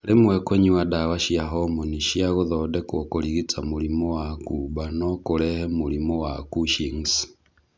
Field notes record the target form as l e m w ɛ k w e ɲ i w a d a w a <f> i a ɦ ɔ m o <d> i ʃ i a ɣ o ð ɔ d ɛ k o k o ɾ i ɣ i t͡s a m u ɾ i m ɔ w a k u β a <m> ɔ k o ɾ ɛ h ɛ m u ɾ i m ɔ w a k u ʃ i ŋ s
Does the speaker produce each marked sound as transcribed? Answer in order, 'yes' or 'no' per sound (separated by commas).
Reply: no, no, no